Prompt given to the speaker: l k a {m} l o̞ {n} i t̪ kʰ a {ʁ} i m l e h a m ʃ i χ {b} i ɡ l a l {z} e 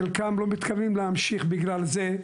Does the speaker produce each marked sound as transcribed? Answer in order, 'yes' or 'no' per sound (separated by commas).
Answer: yes, no, no, yes, yes